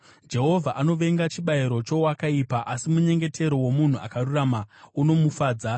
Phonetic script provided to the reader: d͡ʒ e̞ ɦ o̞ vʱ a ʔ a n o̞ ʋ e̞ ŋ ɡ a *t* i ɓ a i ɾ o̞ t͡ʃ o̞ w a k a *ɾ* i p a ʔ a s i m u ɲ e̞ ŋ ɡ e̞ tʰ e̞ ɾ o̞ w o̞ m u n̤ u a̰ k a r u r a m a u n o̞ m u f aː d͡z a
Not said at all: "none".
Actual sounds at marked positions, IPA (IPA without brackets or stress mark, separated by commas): t͡ʃ, none